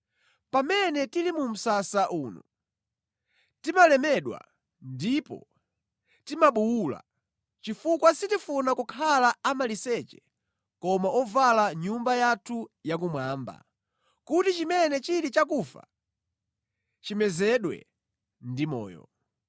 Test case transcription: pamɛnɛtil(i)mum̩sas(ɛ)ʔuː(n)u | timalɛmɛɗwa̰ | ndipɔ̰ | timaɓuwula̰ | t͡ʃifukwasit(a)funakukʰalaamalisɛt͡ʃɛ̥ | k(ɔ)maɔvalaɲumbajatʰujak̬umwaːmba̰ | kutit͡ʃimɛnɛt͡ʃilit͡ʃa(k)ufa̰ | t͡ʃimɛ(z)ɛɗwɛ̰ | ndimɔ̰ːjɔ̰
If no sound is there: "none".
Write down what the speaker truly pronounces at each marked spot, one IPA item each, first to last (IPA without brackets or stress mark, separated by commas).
i, a, n, i, ɔ, k, z